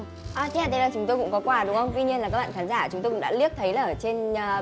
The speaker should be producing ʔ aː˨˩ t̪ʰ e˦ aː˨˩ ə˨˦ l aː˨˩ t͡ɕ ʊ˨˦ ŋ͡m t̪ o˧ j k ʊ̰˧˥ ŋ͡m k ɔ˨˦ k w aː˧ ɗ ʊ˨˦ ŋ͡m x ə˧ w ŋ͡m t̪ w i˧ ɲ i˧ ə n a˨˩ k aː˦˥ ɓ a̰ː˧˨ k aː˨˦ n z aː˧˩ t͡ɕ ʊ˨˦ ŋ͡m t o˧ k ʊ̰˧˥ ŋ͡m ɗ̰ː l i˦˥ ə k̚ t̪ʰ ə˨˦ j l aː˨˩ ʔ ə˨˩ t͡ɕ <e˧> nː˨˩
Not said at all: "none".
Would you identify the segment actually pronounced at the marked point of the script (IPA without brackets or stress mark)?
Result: e˧